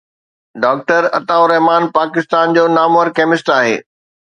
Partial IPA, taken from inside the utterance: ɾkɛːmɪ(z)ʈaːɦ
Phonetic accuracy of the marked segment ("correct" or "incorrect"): incorrect